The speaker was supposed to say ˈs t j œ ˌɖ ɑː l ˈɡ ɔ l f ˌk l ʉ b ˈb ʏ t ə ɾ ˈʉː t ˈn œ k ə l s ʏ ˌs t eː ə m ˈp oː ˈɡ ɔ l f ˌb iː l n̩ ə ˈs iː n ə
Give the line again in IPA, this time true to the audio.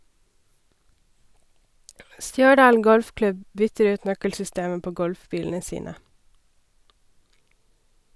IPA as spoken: ˈs t j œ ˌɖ ɑː l ˈɡ ɔ l f ˌk l ʉ b ˈb ʏ t ə ɾ ˈʉː t ˈn œ k ə l s ʏ ˌs t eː ə m ˈp oː ˈɡ ɔ l f ˌb iː l n̩ ə ˈs iː n ə